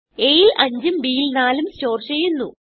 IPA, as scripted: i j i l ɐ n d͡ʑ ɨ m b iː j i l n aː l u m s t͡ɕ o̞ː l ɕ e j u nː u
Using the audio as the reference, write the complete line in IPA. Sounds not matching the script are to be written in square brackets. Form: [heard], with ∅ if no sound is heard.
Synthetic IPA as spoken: [e] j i l ɐ [ɲ] d͡ʑ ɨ m b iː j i l n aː l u m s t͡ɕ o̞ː [r] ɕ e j u nː u

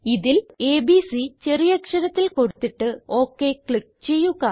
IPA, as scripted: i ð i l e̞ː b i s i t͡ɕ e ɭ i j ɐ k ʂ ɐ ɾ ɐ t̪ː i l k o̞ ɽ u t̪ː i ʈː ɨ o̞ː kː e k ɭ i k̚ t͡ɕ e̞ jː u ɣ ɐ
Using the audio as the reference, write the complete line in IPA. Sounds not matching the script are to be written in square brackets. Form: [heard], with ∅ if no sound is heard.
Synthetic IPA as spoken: i ð i l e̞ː b i s i t͡ɕ e [r] i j ɐ k ʂ ɐ ɾ ɐ t̪ː i l k o̞ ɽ u t̪ː i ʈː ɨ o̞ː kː e k ɭ i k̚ t͡ɕ e̞ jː u ɣ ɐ

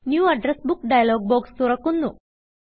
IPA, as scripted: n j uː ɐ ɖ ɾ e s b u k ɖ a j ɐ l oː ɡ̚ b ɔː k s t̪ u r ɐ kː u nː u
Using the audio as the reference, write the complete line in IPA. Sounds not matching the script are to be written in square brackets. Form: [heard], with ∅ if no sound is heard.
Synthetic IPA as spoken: n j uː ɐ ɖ ɾ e s b u k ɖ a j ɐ l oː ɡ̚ b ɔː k s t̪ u [ɾ] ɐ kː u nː u

